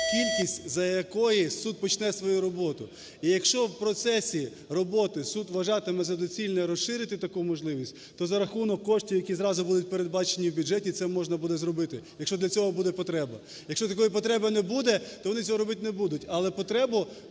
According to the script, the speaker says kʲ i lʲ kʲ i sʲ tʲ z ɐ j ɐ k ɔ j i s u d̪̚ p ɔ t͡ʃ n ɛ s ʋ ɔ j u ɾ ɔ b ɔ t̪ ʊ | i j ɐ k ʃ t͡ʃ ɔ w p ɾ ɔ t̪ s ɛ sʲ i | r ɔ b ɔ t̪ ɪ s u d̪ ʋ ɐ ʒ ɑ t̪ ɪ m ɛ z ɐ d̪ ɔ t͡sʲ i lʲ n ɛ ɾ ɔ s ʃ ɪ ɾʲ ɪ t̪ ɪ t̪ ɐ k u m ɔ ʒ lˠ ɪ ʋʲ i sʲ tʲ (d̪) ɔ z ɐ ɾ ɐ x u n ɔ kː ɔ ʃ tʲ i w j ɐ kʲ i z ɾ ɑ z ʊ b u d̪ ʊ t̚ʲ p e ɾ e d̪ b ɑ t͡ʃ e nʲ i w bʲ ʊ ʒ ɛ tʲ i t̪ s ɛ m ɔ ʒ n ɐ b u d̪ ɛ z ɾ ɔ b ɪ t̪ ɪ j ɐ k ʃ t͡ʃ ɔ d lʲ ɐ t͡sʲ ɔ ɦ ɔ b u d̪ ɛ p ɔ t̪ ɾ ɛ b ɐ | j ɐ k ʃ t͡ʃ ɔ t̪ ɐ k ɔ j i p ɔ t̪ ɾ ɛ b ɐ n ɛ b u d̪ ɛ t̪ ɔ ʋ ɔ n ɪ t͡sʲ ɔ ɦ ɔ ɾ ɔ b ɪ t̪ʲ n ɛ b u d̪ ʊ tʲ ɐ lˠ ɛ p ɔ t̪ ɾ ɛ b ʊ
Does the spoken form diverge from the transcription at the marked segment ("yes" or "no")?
yes